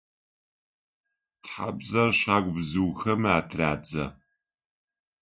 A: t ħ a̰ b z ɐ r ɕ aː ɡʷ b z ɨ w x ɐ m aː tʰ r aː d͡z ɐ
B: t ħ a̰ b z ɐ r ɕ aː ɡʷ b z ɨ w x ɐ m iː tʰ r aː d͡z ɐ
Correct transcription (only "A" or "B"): A